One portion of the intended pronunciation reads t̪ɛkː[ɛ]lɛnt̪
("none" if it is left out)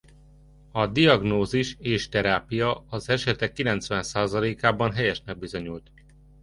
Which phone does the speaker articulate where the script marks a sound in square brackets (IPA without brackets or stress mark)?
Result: i